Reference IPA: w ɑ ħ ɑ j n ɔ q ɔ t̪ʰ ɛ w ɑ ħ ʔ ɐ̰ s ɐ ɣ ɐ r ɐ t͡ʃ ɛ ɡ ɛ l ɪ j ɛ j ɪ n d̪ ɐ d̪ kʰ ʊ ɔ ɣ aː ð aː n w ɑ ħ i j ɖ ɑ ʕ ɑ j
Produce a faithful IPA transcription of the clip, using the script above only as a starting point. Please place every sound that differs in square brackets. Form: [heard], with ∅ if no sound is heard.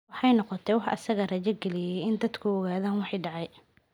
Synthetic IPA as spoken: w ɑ ħ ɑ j n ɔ q ɔ t̪ʰ ɛ w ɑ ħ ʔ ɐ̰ s ɐ ɣ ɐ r ɐ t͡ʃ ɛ ɡ ɛ l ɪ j ɛ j ɪ n d̪ ɐ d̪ kʰ ʊ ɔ ɣ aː ð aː n w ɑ ħ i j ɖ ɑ ʕ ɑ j

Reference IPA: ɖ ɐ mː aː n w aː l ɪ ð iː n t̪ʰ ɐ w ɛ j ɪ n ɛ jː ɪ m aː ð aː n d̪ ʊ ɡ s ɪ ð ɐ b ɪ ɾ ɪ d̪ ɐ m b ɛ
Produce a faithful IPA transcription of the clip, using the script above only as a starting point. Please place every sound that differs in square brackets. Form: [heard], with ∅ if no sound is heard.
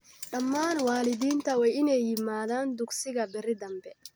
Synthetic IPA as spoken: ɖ ɐ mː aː n w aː l ɪ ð iː n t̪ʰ ɐ w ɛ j ɪ n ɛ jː ɪ m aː ð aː n d̪ ʊ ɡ s ɪ [ɣ] ɐ b ɪ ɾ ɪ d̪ ɐ m b ɛ

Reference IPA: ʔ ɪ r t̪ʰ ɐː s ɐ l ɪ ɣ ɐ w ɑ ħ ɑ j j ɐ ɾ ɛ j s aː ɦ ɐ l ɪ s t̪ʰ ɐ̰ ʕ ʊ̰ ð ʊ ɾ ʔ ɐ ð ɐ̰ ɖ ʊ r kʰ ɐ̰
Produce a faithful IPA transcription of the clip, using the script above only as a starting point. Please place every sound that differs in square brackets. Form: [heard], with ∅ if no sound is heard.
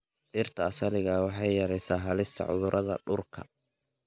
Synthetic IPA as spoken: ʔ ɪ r t̪ʰ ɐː s ɐ l ɪ ɣ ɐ w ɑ ħ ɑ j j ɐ ɾ ɛ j s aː ɦ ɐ l ɪ s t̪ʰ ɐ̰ ʕ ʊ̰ ð ʊ ɾ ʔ ɐ ð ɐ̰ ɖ ʊ r kʰ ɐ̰

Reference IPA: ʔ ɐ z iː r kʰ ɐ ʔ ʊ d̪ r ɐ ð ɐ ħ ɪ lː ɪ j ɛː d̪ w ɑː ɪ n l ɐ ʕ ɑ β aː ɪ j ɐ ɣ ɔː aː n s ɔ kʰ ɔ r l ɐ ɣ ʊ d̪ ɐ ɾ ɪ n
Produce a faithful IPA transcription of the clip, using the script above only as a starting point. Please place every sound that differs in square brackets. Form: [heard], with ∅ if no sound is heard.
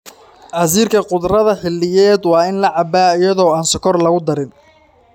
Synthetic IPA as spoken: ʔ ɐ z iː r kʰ ɐ [q] ʊ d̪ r ɐ ð ɐ ħ ɪ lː ɪ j ɛː d̪ w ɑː ɪ n l ɐ ʕ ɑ [b] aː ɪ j ɐ [ð] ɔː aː n s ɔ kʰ ɔ r l ɐ ɣ ʊ d̪ ɐ ɾ ɪ n

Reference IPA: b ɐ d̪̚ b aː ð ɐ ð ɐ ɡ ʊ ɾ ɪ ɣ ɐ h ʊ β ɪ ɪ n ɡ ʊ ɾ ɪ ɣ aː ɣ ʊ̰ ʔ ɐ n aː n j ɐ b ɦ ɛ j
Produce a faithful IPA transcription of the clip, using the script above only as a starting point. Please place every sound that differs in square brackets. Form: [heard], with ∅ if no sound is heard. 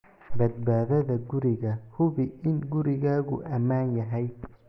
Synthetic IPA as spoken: b ɐ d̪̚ b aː ð ɐ ð ɐ ɡ ʊ ɾ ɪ ɣ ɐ h ʊ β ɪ ɪ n ɡ ʊ ɾ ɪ ɣ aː ɣ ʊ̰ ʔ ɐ [m] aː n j ɐ [∅] ɦ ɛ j

